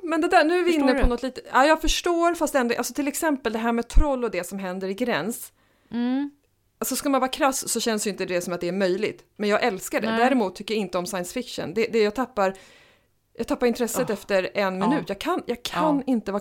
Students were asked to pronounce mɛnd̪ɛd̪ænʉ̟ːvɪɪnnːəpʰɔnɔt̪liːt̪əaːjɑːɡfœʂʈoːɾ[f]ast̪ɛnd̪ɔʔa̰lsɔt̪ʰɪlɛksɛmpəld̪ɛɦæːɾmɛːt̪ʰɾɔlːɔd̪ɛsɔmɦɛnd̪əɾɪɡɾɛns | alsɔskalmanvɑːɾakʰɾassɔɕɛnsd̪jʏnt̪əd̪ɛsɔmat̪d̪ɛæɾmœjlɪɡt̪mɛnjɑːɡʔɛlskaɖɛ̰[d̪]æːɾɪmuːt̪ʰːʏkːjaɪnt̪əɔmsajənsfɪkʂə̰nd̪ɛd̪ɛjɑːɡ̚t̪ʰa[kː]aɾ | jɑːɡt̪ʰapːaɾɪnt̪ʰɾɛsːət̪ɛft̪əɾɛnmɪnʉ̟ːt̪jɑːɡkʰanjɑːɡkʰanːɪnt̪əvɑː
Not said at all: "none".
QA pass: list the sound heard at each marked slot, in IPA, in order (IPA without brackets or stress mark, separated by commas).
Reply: f, d̪, pː